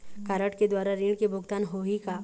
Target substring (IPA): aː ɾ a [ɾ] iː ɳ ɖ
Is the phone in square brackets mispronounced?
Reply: no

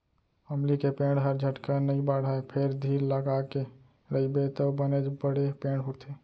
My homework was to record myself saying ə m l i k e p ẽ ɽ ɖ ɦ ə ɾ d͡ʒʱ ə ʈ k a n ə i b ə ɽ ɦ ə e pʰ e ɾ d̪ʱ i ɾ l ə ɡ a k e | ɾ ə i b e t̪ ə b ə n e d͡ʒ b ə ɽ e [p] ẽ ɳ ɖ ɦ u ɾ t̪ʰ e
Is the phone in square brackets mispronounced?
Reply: no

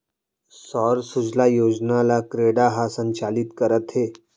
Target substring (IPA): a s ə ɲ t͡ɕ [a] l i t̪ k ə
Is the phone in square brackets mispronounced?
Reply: no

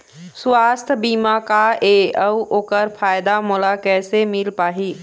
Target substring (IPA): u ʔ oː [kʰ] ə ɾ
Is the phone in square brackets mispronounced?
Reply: yes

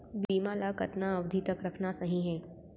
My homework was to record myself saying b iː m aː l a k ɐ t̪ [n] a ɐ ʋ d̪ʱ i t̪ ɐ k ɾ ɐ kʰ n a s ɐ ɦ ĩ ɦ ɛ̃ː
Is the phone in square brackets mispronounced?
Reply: no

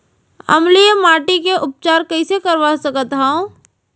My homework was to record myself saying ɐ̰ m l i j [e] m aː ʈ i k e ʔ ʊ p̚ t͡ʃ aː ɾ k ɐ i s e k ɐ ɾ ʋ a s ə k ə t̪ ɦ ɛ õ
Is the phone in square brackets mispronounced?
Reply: no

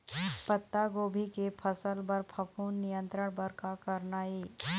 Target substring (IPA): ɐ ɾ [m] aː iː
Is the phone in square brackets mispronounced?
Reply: yes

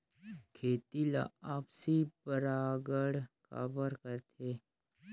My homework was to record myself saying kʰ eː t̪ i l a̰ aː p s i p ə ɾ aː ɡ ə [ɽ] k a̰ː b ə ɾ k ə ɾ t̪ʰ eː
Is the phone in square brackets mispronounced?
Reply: no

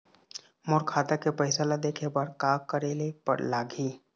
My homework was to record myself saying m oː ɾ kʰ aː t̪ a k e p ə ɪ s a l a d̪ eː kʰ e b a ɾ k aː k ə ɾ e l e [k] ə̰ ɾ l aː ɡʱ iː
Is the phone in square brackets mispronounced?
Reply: yes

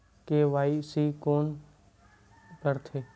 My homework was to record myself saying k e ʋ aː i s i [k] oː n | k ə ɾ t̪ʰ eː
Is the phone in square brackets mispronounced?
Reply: no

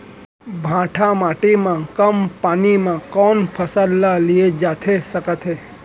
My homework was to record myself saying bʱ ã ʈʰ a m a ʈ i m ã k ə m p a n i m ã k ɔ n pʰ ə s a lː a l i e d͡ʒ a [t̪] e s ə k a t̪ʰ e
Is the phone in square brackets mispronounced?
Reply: yes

